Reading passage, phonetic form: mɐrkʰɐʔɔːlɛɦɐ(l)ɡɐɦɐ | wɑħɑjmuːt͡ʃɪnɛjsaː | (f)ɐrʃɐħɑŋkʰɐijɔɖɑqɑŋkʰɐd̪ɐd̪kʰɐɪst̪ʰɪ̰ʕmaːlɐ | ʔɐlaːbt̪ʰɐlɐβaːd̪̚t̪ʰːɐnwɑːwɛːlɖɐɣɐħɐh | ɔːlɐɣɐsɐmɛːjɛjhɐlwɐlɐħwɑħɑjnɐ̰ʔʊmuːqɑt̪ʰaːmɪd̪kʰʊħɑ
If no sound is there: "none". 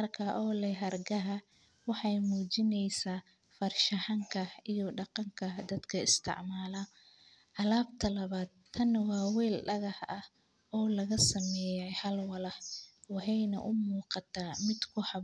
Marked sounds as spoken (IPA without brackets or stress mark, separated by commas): r, f